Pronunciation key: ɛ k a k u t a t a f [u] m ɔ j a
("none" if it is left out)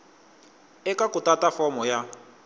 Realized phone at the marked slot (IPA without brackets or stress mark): ɔ